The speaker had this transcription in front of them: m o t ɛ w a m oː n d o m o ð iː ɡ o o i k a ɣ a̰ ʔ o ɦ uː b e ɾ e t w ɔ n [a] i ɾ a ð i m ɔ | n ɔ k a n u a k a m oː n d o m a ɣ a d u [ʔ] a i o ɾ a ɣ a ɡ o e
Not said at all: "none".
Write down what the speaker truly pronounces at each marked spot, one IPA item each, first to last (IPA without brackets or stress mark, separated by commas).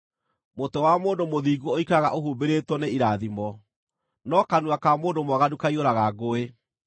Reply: e, k